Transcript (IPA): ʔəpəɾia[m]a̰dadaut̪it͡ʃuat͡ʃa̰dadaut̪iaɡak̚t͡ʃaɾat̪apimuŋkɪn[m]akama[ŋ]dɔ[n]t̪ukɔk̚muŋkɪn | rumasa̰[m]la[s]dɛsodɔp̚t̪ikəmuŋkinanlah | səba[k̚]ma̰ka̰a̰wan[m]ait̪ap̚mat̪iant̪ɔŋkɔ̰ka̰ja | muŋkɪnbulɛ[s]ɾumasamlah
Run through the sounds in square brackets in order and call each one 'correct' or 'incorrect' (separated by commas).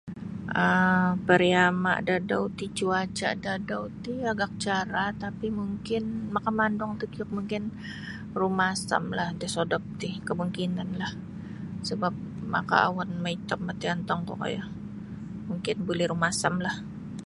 correct, correct, incorrect, incorrect, correct, incorrect, incorrect, correct, incorrect